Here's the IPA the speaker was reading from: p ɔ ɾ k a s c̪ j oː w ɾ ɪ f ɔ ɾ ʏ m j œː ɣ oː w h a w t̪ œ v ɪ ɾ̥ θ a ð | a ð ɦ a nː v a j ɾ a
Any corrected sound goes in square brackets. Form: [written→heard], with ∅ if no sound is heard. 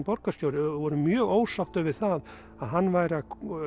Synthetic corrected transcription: p ɔ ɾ k a s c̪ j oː w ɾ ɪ [f→v] ɔ ɾ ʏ m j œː ɣ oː w [h→s] a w t̪ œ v ɪ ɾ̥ θ a ð | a ð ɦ a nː v a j ɾ a